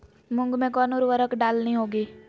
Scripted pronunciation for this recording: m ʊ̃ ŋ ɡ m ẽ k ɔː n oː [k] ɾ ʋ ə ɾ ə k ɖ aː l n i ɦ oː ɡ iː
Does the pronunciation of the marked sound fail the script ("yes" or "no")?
yes